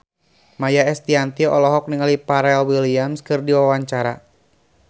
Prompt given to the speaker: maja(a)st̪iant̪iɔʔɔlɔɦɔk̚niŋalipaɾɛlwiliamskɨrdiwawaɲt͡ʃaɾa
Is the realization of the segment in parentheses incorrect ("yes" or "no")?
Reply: yes